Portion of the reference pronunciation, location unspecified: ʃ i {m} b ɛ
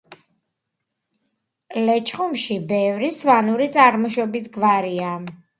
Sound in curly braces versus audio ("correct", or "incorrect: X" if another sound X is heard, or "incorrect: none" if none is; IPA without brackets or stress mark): incorrect: none